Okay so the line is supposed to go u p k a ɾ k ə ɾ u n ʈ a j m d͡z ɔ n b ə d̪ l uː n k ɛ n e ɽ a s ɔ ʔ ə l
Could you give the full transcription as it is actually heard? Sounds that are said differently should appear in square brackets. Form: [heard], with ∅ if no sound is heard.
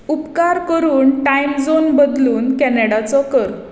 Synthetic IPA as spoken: u p k a ɾ k ə ɾ [uː] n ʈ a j m d͡z [o] n b ə d̪ l uː n k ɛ n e ɽ a [t͡s] ɔ [k] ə [ɾ]